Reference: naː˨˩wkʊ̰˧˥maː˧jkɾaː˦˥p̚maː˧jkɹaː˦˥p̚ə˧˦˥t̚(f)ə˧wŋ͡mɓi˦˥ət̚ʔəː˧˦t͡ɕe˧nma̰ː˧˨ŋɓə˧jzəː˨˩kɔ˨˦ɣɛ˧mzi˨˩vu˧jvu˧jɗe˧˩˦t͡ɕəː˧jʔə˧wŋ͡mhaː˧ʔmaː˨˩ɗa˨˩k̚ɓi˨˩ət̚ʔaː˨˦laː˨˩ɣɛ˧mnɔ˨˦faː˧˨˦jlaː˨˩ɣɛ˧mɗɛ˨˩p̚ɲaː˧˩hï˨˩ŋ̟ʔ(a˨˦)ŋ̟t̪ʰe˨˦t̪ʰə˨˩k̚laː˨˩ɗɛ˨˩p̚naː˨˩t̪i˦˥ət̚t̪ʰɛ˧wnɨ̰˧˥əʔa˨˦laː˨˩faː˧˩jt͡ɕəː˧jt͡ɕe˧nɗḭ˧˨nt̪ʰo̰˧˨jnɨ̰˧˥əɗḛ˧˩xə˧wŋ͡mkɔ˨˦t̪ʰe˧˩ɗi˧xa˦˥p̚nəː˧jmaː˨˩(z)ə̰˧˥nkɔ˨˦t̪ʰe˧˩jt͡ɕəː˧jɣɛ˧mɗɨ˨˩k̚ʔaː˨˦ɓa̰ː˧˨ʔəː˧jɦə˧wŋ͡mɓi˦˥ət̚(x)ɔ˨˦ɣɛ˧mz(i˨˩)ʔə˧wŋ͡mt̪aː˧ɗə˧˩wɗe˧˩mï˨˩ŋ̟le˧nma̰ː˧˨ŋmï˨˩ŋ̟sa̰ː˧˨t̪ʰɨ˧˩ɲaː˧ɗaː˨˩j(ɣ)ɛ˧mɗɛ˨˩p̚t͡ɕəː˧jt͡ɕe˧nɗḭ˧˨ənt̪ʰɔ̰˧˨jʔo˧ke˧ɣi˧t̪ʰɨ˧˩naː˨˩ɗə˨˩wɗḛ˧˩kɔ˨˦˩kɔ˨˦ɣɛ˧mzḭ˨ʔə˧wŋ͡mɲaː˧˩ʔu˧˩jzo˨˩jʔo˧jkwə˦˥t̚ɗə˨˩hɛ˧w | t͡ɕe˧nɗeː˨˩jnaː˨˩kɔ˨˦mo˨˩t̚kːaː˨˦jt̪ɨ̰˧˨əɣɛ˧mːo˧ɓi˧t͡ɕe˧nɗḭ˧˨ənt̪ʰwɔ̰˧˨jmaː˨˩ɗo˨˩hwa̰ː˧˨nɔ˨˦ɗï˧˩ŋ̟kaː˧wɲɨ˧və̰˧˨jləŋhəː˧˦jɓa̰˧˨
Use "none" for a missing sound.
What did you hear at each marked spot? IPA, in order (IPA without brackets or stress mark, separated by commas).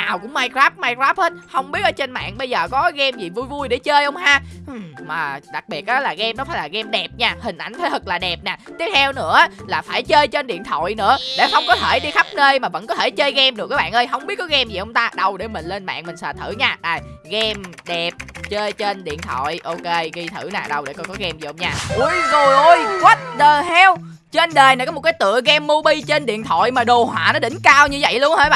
h, a˧˩, v, k, i˨˩, ɣ